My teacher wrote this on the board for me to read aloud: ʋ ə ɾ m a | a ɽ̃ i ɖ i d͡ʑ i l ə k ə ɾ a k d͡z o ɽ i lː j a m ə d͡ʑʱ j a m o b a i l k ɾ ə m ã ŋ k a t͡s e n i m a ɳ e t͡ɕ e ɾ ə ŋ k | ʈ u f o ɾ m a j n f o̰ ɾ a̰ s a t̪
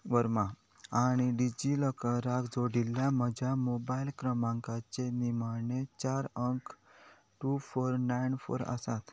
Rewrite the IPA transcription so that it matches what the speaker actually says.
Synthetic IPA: ʋ ə ɾ m a | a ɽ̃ i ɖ i d͡ʑ i l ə k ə ɾ a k d͡z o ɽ i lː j a m ə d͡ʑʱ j a m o b a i l k ɾ ə m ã ŋ k a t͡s e n i m a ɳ e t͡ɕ a ɾ ə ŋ k | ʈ u f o ɾ n a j n f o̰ ɾ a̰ s a t̪